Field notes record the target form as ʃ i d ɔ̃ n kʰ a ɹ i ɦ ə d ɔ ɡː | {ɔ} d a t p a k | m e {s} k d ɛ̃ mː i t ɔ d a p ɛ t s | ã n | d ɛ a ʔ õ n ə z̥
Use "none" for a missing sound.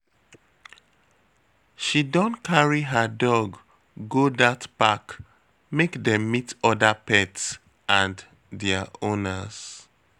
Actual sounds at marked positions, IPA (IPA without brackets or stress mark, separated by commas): o, none